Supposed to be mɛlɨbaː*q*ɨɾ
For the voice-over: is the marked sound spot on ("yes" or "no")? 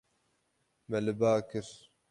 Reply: no